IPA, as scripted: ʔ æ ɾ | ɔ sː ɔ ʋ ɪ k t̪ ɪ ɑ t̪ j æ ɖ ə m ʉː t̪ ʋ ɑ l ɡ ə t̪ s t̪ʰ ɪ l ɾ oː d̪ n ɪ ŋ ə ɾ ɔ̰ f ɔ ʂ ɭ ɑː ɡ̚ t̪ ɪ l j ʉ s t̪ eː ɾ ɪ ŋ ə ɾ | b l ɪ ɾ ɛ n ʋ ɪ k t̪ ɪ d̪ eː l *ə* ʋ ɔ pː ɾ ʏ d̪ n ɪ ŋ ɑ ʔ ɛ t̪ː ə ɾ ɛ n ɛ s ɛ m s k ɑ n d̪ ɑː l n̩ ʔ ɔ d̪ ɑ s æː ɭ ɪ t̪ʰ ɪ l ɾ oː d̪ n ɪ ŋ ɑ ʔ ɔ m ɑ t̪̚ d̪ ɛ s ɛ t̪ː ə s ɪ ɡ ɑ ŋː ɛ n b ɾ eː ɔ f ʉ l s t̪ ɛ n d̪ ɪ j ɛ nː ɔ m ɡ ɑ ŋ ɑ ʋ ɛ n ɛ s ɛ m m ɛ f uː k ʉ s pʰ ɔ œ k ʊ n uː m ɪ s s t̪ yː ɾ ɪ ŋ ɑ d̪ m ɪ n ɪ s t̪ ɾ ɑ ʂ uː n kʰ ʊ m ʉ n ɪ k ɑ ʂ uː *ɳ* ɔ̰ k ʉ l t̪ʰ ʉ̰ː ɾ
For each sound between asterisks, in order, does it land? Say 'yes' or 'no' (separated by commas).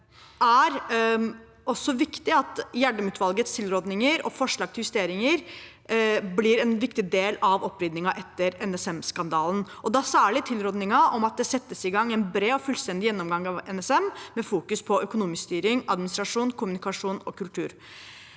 no, no